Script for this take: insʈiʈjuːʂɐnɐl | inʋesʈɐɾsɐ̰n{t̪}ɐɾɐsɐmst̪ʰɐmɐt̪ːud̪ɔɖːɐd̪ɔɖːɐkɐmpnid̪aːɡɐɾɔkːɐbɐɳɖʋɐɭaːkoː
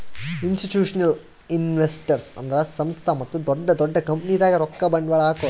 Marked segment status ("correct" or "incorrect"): incorrect